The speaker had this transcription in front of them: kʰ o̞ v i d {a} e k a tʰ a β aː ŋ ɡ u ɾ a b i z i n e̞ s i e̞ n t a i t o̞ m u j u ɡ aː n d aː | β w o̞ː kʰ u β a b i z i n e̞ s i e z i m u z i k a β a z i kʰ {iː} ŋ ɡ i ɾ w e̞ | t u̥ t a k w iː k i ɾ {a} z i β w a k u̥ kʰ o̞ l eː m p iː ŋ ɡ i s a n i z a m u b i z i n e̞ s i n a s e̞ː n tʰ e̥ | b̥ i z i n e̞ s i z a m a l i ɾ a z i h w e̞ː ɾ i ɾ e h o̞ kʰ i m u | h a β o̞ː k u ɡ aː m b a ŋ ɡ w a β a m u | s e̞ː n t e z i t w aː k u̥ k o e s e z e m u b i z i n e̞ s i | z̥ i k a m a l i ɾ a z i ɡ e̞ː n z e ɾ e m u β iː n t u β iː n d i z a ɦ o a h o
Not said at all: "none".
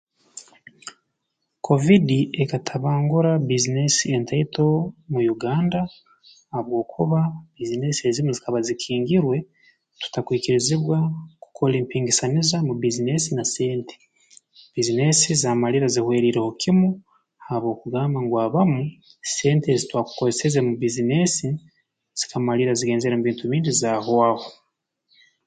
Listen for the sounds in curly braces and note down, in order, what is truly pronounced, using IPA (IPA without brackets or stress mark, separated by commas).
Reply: i, iː, i